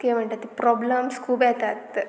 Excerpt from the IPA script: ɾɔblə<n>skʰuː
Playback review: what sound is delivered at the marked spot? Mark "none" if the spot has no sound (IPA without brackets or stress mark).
m